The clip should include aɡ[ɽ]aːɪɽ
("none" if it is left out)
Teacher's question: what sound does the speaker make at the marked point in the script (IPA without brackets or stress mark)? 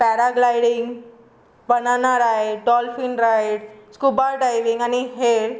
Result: l